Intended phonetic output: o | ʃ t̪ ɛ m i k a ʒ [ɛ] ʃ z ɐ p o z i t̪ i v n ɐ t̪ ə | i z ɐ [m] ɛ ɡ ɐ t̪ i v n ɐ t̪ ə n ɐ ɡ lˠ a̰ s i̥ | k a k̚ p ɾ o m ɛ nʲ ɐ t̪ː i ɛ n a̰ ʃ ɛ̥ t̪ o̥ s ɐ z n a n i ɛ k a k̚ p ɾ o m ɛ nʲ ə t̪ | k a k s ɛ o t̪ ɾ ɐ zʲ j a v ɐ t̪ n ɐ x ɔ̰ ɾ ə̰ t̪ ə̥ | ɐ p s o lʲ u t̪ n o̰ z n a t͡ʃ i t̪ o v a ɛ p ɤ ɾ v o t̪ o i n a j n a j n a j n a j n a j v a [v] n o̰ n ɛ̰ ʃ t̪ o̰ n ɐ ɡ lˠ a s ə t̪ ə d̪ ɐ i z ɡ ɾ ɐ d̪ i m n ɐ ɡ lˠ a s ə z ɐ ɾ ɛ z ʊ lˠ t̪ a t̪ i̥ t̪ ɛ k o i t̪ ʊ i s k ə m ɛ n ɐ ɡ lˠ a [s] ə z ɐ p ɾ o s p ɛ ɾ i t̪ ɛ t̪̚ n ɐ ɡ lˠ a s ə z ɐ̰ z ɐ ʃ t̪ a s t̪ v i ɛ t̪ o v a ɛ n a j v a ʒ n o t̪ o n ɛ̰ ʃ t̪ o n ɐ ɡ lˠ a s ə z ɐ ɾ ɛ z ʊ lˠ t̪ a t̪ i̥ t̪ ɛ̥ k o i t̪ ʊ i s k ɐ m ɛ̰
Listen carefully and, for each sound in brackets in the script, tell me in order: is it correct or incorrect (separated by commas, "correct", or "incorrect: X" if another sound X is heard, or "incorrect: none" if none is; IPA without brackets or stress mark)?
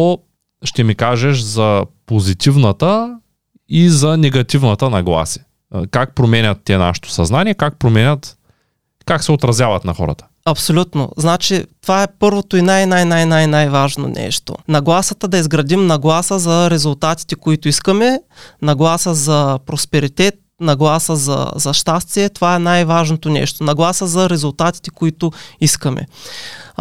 correct, incorrect: n, incorrect: ʒ, correct